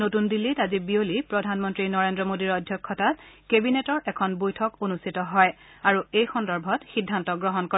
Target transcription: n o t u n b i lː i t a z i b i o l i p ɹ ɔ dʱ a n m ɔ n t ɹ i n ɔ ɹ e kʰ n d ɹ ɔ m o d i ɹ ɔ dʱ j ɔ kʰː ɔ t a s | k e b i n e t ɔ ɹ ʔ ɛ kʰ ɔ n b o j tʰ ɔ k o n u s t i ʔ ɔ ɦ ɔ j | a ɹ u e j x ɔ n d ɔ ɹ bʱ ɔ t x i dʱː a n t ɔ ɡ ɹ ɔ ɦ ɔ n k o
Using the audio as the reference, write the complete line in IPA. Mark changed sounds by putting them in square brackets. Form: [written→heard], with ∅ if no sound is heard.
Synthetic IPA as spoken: n o t u n [b→d] i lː i t a z i b i o l i p ɹ ɔ dʱ a n m ɔ n t ɹ i n ɔ ɹ e [kʰ→∅] n d ɹ ɔ m o d i ɹ ɔ dʱ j ɔ kʰː ɔ t a [s→t] | k e b i n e t ɔ ɹ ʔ ɛ kʰ ɔ n b o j tʰ ɔ k o n u s t i [ʔ→t] ɔ ɦ ɔ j | a ɹ u e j x ɔ n d ɔ ɹ bʱ ɔ t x i dʱː a n t ɔ ɡ ɹ ɔ ɦ ɔ n k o